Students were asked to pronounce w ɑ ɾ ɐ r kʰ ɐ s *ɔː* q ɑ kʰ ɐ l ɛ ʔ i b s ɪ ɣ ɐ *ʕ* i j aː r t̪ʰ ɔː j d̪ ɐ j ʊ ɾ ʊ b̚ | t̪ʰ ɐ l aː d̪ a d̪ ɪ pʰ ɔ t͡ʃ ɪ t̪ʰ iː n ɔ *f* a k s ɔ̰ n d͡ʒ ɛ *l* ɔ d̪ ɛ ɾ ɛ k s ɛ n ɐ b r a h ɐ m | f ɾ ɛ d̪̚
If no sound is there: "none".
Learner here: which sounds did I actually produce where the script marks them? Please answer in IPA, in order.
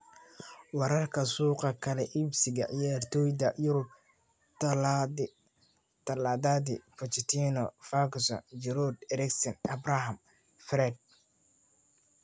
uː, ʕ, f, ɾ

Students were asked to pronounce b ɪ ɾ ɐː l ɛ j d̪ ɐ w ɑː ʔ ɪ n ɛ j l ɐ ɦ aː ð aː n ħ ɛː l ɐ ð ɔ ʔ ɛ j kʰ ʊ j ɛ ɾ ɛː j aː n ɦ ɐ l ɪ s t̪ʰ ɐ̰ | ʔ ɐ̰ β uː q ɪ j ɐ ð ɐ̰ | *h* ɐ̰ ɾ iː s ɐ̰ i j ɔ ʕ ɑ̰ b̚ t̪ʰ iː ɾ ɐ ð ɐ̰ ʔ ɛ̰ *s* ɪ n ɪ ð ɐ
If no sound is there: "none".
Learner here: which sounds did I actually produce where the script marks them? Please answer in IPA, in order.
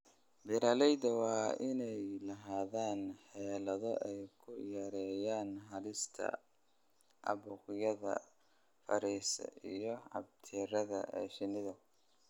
f, ʃ

